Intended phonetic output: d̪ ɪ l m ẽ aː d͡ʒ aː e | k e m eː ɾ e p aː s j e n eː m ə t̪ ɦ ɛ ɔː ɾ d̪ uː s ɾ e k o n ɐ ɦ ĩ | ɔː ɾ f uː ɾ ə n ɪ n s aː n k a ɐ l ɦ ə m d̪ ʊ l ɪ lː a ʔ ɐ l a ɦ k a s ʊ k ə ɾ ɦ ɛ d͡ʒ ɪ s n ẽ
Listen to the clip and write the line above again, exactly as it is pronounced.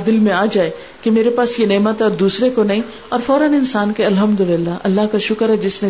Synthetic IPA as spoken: d̪ ɪ l m ẽ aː d͡ʒ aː e | k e m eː ɾ e p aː s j e n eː m ə t̪ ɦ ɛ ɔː ɾ d̪ uː s ɾ e k o n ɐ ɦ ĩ | ɔː ɾ f ɔː ɾ ə n ɪ n s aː n k e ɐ l ɦ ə m d̪ ʊ l ɪ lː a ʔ ɐ lː a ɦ k a ʃ ʊ k ə ɾ ɦ ɛ d͡ʒ ɪ s n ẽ